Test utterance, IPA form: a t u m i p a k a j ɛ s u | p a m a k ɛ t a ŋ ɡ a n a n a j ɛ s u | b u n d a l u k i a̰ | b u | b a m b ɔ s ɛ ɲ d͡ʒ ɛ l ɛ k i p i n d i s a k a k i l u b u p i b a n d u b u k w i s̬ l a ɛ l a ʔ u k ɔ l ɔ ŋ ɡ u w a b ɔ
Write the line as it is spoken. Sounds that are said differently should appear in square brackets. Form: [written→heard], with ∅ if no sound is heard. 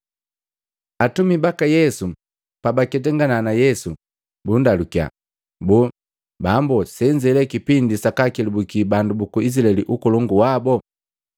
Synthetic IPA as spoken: a t u m i [p→b] a k a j ɛ s u | p a [m→b] a k ɛ t [a→ɛ] ŋ ɡ a n a n a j ɛ s u | b u n d a l u k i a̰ | b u | b a m b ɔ s ɛ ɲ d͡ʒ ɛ l ɛ k i p i n d i s a k a k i l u b u [p→k] i b a n d u b u k [w→u] i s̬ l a ɛ l [a→i] ʔ u k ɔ l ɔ ŋ ɡ u w a b ɔ